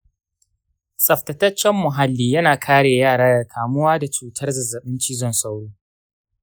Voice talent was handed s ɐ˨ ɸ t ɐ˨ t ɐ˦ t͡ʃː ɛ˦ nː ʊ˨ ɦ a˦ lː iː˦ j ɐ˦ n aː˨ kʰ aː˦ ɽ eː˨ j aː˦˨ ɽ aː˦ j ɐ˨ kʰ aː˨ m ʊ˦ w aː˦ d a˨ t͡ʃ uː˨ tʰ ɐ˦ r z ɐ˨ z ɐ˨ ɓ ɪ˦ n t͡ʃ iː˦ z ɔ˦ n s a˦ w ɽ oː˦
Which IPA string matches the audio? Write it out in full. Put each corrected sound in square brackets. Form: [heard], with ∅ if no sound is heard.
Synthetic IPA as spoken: s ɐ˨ ɸ t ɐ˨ t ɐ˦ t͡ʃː ɛ˦ [mː] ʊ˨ ɦ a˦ lː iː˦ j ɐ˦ n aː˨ kʰ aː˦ ɽ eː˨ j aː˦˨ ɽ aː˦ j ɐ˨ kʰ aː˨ m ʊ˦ w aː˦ d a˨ t͡ʃ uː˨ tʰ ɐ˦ r z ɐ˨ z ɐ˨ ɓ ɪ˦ n t͡ʃ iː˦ z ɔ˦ n s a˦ w ɽ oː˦

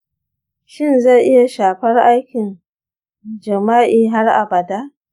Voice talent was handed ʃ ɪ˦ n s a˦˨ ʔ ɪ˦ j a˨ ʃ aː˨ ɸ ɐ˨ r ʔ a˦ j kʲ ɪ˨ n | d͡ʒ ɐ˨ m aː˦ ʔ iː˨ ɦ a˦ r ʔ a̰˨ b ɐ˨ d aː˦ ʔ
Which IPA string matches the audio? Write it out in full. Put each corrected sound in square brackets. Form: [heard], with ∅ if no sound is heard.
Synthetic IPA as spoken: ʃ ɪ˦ n [z] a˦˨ ʔ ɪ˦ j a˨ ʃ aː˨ ɸ [ɐ˦] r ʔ a˦ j kʲ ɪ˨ n | d͡ʒ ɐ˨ m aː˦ ʔ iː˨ ɦ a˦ r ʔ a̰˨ b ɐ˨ d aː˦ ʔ

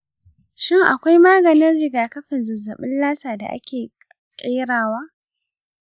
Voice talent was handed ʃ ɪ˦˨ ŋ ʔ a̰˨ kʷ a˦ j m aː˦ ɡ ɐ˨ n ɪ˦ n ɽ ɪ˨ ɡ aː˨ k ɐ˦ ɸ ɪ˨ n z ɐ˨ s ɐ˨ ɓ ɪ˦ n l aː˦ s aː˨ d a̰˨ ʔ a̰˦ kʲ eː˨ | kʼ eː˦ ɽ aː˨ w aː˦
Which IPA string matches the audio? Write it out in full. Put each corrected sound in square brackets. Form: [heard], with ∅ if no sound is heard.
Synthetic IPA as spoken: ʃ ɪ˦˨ ŋ ʔ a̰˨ kʷ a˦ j m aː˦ ɡ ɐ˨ n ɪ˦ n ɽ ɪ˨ ɡ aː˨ k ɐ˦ ɸ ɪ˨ n z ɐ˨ [z] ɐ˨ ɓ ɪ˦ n l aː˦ s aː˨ d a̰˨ ʔ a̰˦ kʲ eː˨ | kʼ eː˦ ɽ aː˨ w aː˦

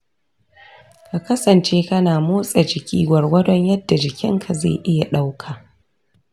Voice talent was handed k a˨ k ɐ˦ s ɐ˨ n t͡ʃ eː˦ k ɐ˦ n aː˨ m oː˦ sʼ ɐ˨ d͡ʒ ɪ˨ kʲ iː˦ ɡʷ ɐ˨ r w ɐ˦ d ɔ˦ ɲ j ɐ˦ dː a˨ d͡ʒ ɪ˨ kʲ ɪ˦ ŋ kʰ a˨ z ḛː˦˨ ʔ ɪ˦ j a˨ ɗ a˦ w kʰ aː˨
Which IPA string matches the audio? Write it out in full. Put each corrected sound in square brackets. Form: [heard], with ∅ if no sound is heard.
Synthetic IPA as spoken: k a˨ k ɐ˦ s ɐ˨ n t͡ʃ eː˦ k ɐ˦ n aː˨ m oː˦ sʼ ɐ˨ d͡ʒ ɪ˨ kʲ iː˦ ɡʷ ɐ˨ r w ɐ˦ d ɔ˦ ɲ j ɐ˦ dː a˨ d͡ʒ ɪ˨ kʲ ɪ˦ ŋ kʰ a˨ z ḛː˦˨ ʔ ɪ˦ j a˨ ɗ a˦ w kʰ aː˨

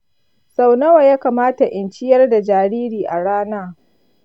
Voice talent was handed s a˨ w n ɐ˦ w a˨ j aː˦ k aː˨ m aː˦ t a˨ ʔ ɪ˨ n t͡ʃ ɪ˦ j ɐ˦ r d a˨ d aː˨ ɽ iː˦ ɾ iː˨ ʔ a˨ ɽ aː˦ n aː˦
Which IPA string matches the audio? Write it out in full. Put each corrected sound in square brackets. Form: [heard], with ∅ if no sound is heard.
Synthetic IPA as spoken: s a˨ w n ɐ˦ w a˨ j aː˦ k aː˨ m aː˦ t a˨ ʔ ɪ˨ n t͡ʃ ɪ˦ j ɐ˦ r d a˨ [d͡ʒ] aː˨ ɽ iː˦ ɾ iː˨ ʔ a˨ ɽ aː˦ n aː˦

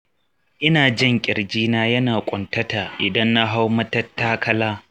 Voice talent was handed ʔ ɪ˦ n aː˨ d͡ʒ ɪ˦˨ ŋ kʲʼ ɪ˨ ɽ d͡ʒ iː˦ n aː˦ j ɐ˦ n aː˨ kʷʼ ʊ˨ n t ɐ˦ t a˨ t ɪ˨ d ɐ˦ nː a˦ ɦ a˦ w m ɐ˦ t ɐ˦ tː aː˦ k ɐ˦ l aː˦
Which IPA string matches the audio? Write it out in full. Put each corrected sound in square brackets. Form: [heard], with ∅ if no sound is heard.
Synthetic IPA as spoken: ʔ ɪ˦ n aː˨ d͡ʒ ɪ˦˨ ŋ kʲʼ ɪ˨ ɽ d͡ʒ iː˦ n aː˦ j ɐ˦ n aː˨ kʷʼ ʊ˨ n t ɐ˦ t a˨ [ʔ] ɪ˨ d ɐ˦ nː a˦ ɦ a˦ w m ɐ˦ t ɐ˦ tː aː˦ k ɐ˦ l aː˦

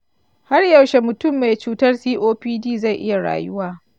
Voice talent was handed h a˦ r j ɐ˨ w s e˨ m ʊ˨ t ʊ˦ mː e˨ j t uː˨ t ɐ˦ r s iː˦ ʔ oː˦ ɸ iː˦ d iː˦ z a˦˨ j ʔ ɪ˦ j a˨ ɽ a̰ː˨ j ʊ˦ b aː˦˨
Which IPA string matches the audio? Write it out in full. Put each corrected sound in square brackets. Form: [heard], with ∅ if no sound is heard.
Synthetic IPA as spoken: h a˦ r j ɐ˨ w [ʃ] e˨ m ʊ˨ t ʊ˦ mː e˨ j [t͡ʃ] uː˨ t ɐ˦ r s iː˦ ʔ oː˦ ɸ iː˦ d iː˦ z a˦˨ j ʔ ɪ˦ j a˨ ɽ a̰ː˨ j ʊ˦ [w] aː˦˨

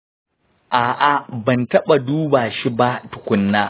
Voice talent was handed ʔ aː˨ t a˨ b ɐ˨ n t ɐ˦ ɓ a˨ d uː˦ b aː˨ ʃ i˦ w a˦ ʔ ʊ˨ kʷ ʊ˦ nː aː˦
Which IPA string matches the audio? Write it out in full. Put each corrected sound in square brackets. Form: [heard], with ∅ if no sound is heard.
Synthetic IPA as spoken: ʔ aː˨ [ʔ] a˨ b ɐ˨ n t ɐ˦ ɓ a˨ d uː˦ b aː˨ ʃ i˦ [b] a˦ [t] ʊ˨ kʷ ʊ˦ nː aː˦

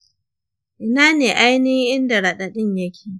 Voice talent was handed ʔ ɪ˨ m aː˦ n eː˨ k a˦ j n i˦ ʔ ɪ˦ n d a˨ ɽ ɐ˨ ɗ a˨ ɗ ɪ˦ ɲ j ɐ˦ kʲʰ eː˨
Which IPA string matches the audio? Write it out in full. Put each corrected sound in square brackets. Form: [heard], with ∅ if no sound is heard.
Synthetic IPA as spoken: ʔ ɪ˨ [n] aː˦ n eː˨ [ʔ] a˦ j n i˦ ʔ ɪ˦ n d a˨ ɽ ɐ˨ ɗ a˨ ɗ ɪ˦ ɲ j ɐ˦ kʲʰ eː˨

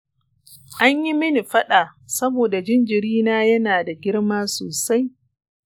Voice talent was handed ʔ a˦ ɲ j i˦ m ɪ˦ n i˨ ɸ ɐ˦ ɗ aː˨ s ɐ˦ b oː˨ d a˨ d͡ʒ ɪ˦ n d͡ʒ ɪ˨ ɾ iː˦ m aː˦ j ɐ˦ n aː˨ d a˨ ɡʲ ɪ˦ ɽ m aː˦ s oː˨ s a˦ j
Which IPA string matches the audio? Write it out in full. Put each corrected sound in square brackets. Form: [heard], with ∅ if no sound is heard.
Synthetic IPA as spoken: ʔ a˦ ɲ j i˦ m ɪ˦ n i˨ ɸ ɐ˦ ɗ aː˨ s ɐ˦ b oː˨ d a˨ d͡ʒ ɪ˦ n d͡ʒ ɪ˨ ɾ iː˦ [n] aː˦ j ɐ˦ n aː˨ d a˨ ɡʲ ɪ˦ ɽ m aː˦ s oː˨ s a˦ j

